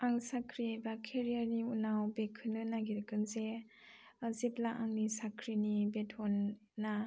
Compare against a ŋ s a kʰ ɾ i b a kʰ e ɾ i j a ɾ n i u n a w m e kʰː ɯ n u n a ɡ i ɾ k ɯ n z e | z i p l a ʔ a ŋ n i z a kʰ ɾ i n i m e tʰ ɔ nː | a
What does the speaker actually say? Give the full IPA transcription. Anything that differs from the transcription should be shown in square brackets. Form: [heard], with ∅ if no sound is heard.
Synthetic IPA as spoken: a ŋ s a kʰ ɾ i b a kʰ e ɾ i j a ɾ n i u n a w [b] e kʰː ɯ n [ɯ] n a ɡ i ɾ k ɯ n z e | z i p l a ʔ a ŋ n i [s] a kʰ ɾ i n i [b] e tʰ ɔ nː | a